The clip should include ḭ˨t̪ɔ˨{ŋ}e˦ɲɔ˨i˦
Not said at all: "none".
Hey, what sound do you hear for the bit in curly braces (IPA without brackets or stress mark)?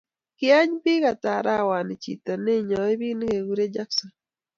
n